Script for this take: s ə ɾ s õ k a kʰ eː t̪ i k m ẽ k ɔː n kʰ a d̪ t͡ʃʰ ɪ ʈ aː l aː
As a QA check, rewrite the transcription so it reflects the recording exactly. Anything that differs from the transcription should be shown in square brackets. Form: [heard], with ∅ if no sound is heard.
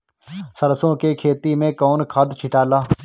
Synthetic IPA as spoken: s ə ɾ s õ k [e] kʰ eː t̪ i [∅] m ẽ k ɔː n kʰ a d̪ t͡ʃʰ ɪ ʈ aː l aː